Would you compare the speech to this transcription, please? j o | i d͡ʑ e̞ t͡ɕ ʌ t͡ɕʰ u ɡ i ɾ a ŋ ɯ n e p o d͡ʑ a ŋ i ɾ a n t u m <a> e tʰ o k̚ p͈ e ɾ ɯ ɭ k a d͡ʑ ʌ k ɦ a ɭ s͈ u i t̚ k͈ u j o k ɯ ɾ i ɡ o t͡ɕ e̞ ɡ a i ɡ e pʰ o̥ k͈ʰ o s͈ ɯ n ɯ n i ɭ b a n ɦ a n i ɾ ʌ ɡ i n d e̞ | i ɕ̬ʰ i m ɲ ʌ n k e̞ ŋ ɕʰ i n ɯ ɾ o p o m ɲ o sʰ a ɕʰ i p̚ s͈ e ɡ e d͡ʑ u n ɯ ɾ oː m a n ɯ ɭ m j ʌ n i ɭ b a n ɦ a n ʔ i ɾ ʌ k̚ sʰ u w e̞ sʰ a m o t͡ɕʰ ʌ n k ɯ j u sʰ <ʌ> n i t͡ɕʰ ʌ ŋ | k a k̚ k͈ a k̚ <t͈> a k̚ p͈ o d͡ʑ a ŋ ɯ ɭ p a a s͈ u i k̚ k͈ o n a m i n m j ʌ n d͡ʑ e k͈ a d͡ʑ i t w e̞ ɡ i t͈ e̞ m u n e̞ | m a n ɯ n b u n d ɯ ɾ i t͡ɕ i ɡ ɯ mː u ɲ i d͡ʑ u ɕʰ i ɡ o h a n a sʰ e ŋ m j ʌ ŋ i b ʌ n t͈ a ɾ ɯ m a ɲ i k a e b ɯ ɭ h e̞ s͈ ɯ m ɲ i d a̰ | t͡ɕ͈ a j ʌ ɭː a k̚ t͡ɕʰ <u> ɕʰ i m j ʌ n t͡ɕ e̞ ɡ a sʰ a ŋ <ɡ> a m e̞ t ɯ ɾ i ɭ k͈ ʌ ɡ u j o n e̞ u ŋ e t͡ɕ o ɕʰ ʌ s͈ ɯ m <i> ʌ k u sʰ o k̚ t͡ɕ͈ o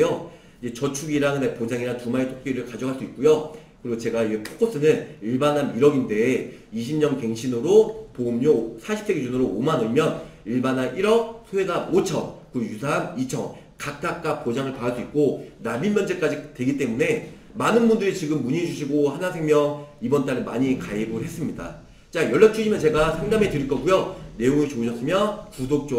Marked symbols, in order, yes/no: yes, no, no, yes, no, no

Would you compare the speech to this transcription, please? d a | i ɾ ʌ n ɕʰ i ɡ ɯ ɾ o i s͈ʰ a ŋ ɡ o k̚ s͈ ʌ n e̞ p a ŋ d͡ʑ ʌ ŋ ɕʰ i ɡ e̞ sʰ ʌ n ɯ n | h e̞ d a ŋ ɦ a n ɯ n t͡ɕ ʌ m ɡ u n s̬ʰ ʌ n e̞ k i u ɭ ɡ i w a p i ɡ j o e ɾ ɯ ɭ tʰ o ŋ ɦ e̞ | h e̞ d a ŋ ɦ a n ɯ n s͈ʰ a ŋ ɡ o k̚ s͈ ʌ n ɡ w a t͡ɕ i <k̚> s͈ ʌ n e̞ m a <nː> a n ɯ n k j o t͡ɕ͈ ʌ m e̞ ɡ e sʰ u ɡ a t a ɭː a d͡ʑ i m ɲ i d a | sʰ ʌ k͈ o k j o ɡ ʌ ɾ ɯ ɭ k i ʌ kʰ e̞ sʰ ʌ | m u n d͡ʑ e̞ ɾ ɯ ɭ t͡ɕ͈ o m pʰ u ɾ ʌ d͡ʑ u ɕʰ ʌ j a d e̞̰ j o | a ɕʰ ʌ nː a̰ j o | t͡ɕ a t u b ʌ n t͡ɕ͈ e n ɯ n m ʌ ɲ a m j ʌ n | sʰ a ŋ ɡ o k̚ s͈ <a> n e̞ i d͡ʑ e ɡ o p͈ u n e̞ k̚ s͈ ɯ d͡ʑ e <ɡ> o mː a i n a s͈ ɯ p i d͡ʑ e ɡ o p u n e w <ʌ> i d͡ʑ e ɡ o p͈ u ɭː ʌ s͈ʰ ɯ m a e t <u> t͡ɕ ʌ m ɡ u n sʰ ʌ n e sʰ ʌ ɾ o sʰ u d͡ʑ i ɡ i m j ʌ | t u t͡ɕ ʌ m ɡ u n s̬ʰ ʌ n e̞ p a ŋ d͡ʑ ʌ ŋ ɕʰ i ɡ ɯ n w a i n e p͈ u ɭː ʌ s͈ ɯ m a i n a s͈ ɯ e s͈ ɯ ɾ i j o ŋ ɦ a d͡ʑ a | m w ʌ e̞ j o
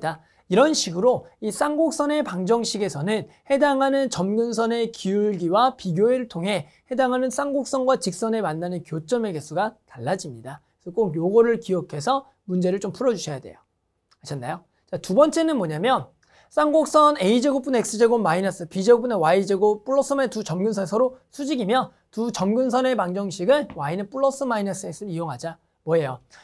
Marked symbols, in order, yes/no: yes, yes, no, yes, no, yes

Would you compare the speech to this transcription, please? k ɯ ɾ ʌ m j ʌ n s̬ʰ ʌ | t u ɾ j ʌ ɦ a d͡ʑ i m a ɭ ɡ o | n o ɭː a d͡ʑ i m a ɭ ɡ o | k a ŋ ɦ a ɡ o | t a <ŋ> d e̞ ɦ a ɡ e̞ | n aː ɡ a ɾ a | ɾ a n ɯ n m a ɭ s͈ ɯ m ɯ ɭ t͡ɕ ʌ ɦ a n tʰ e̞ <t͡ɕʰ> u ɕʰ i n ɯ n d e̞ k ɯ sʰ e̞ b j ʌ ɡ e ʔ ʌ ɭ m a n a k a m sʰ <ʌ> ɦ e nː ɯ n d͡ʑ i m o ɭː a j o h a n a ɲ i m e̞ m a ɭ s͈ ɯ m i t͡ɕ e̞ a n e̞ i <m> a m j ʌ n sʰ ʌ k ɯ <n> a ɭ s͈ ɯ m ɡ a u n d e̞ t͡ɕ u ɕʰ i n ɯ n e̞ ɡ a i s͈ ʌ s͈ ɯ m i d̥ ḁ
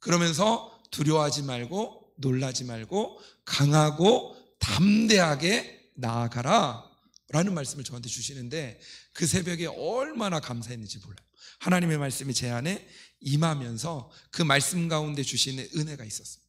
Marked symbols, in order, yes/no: no, no, no, yes, no

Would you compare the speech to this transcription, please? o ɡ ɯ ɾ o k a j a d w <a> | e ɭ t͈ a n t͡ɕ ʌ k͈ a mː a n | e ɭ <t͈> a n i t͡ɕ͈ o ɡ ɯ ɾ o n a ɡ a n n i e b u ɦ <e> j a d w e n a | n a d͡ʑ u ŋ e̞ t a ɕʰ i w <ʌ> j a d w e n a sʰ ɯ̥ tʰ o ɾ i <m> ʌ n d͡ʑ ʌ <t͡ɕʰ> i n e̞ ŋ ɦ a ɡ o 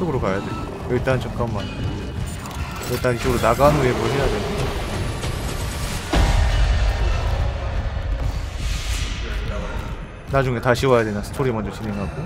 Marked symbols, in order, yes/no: no, yes, yes, no, yes, no

